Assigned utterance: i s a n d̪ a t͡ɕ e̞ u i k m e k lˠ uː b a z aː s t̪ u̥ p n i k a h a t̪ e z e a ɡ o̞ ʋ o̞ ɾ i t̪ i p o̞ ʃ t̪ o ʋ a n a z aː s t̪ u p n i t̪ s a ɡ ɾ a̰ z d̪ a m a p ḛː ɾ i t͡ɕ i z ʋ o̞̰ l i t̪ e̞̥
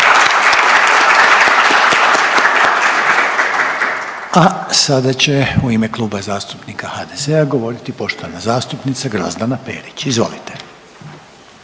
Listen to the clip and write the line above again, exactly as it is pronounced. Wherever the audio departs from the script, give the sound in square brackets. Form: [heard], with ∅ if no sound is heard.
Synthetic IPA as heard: [a] s a [∅] d̪ a t͡ɕ e̞ u i [∅] m e k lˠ uː b a z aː s t̪ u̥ p n i k a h a [d̪] e z e a ɡ o̞ ʋ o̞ ɾ i t̪ i p o̞ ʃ t̪ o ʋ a n a z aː s t̪ u p n i t̪ s a ɡ ɾ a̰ z d̪ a [n] a p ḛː ɾ i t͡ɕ i z ʋ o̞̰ l i t̪ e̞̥